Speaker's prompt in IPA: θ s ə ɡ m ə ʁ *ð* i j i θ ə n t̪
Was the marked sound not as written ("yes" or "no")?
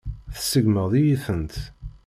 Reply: no